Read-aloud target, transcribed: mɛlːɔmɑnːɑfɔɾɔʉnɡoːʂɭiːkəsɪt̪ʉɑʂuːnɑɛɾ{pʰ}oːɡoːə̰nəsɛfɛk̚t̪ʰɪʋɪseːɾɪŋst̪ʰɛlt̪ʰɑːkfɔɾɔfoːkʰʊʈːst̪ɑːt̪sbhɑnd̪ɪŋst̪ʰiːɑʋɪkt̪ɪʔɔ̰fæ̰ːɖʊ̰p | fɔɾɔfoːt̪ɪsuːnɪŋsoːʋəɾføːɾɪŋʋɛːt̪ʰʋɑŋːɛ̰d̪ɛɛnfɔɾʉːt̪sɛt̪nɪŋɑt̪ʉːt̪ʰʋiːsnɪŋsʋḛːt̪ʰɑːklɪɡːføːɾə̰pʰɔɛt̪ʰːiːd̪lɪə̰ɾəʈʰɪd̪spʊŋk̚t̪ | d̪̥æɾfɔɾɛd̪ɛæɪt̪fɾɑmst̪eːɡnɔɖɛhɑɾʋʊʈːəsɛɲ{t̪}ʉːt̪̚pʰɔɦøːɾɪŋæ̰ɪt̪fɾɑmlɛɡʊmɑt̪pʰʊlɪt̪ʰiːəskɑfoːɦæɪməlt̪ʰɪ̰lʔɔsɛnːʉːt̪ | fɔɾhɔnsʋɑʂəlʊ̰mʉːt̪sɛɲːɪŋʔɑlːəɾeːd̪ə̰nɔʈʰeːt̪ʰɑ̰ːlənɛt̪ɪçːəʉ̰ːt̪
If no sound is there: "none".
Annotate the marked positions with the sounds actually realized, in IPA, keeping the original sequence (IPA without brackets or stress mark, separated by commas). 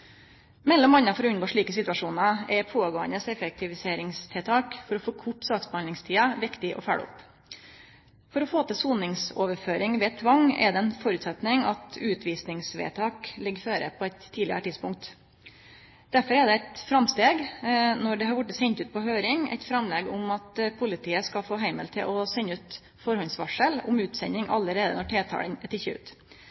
pʰ, t̪